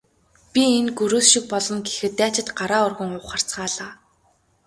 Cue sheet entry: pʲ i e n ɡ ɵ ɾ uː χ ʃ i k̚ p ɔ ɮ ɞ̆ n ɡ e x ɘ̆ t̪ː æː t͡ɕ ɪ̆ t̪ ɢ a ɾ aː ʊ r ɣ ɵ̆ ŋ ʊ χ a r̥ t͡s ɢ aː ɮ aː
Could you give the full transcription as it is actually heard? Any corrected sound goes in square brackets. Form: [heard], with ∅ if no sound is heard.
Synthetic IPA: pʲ i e n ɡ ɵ ɾ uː [s] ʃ i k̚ p ɔ ɮ ɞ̆ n ɡ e x ɘ̆ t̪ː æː t͡ɕ ɪ̆ t̪ ɢ a ɾ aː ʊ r ɣ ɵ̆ ŋ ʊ χ a r̥ t͡s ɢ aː ɮ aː

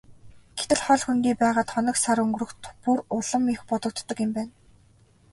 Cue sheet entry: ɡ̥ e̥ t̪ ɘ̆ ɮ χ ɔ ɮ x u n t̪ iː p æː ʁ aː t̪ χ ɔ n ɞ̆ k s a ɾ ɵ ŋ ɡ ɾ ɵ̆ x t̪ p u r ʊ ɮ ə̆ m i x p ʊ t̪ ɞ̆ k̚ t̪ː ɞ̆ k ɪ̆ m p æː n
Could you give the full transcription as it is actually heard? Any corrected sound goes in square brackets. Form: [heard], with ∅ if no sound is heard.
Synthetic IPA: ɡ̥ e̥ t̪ ɘ̆ ɮ χ ɔ ɮ x u n t̪ iː p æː ʁ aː t̪ χ ɔ n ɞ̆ k s a ɾ ɵ ŋ ɡ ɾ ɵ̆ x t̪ p u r ʊ ɮ ə̆ m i x p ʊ t̪ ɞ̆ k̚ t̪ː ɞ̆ k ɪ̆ m p æː n

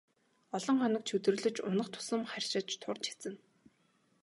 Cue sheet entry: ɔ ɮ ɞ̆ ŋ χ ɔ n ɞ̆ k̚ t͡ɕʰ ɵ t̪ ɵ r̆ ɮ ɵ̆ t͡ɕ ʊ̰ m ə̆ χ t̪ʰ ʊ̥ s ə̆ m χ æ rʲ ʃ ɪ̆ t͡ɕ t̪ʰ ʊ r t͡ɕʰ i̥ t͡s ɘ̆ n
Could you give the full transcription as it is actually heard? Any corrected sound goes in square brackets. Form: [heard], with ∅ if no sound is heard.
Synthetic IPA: ɔ ɮ ɞ̆ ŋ χ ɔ n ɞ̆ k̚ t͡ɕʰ ɵ t̪ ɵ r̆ ɮ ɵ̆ t͡ɕ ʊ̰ [n] ə̆ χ t̪ʰ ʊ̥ s ə̆ m χ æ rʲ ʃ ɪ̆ t͡ɕ t̪ʰ ʊ r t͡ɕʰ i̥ t͡s ɘ̆ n

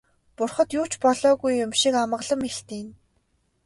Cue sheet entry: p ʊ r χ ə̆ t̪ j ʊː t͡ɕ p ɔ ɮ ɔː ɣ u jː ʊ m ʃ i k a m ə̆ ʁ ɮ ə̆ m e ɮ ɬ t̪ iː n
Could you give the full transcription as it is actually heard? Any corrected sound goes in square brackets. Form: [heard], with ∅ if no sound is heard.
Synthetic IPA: p ʊ r χ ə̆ t̪ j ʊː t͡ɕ p ɔ ɮ ɔː ɣ u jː ʊ m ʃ i k a m ə̆ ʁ ɮ ə̆ m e [∅] ɬ t̪ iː n

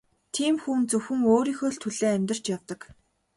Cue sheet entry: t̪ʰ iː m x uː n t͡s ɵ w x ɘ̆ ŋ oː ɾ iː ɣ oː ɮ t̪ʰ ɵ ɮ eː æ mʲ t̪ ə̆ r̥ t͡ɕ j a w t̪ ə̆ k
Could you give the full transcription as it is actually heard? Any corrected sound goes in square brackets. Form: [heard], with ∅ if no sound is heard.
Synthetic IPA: t̪ʰ iː m x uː n t͡s ɵ w x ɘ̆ ŋ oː ɾ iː [x] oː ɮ t̪ʰ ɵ ɮ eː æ mʲ t̪ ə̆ r̥ t͡ɕ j a w t̪ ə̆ k

